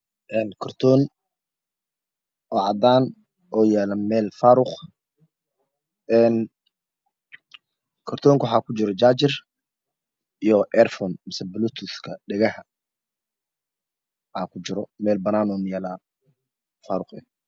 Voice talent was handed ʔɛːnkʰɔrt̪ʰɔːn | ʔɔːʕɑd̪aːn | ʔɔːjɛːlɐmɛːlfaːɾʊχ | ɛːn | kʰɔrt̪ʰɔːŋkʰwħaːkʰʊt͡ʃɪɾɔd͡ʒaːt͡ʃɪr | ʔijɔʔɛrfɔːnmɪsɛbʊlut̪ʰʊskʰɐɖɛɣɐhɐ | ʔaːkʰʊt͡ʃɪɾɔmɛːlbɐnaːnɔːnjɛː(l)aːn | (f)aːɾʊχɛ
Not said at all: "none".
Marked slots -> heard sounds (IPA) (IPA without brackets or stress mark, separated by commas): l, f